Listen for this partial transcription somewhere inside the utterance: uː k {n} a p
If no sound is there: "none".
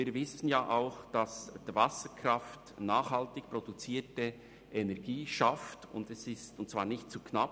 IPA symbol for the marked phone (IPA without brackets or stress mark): n